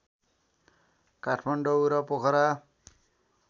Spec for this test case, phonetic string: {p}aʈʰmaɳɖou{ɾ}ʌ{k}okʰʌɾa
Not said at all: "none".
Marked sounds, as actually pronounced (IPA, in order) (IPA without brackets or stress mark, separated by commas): k, ɾ, p